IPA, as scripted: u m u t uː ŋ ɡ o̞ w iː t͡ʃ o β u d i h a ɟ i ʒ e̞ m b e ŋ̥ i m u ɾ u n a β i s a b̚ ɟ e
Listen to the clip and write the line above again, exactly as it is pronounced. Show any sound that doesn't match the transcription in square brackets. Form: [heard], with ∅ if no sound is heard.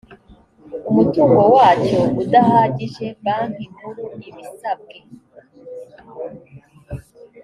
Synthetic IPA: u m u t uː ŋ ɡ o̞ w [aː] t͡ʃ o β u d [a] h a ɟ i ʒ e̞ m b [a] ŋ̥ i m u ɾ u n [i] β i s a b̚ [ɡ] e